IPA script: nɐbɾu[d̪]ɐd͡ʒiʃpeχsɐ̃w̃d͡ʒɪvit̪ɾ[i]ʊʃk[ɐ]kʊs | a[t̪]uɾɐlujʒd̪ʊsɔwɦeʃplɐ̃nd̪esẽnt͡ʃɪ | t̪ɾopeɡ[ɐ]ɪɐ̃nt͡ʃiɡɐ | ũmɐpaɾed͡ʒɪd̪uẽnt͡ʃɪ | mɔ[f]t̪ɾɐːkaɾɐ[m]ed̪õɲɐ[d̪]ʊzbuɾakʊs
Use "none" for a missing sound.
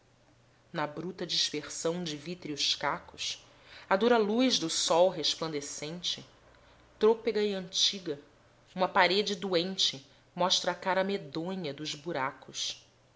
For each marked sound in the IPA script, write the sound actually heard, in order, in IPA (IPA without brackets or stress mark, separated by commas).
t̪, i, a, d̪, ɐ, ʃ, m, d̪